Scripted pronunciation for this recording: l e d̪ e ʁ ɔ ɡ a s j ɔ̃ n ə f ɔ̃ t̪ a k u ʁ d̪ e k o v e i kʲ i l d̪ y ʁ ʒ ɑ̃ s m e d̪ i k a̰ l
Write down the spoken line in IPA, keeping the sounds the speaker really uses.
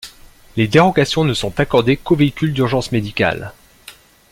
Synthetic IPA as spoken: l e d̪ e ʁ ɔ ɡ a s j ɔ̃ n ə s ɔ̃ t̪ a k ɔ ʁ d̪ e k o v e i kʲ y l d̪ y ʁ ʒ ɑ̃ s m e d̪ i k a̰ l